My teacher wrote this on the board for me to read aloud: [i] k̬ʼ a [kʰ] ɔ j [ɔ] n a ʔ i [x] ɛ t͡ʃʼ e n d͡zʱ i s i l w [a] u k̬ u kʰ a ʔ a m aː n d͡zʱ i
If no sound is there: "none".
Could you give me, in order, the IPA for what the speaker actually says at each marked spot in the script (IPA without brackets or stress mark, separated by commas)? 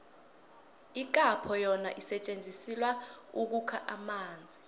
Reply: i, pʰ, ɔ, s, a